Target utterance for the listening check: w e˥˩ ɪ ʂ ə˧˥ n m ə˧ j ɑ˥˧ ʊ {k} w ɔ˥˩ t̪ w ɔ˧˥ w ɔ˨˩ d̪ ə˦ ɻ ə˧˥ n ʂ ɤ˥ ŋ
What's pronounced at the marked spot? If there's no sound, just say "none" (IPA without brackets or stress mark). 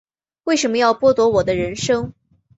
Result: p